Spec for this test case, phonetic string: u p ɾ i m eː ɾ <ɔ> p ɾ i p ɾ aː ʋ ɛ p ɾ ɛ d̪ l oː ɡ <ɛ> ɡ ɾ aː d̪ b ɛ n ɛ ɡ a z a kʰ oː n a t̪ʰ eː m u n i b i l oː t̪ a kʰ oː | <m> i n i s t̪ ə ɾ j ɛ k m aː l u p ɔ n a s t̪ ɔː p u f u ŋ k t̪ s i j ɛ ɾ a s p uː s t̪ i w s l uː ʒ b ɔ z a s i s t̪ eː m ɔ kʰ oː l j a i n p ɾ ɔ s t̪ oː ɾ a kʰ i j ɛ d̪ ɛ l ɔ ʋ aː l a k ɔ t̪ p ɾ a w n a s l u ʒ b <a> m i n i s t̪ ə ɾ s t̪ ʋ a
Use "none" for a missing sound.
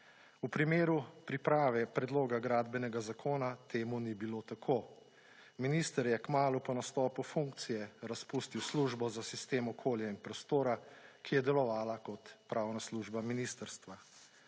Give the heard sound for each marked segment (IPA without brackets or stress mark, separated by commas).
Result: u, a, m, a